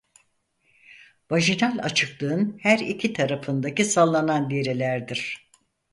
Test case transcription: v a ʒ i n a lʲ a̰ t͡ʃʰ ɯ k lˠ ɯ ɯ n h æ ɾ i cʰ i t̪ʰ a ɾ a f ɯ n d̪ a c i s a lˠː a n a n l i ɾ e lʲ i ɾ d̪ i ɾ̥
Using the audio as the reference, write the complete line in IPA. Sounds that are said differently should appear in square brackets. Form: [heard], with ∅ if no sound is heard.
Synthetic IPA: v a ʒ i n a lʲ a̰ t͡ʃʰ ɯ k lˠ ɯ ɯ n h æ ɾ i cʰ i t̪ʰ a ɾ a f ɯ n d̪ a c i s a lˠː a n a n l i ɾ e lʲ [æ] ɾ d̪ i ɾ̥